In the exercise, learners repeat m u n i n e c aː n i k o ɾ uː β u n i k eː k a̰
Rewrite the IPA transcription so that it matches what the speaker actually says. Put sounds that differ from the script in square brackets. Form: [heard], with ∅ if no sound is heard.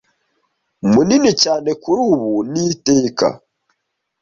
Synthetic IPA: m u n i n [i] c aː n [e] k [u] ɾ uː β u n i [t] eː k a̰